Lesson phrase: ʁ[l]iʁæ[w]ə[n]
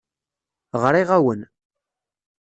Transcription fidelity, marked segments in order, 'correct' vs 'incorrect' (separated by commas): incorrect, correct, correct